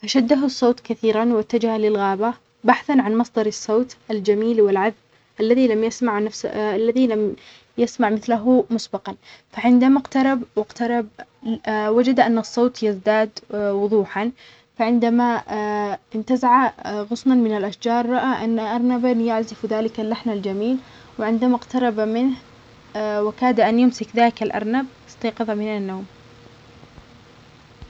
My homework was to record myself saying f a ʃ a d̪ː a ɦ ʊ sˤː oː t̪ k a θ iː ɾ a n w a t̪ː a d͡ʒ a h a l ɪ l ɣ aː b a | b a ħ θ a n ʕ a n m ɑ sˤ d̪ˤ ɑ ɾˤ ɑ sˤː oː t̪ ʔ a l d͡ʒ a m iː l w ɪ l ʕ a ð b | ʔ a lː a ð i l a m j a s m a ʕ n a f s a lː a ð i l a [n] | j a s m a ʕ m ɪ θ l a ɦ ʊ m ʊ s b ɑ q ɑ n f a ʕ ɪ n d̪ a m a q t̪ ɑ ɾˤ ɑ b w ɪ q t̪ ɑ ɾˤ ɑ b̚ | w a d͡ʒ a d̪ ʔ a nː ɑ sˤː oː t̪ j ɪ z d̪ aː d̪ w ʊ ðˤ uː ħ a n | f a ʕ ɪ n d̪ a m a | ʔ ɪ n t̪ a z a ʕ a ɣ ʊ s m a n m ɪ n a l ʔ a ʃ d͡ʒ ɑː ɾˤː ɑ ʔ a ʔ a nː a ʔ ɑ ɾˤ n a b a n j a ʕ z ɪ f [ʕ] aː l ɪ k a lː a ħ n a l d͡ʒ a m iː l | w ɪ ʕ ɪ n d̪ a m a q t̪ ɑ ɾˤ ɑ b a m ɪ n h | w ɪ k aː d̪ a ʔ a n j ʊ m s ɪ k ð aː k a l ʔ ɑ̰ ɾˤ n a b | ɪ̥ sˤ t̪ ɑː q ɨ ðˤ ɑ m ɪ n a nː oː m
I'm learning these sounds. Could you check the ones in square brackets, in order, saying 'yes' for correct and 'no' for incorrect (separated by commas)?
no, no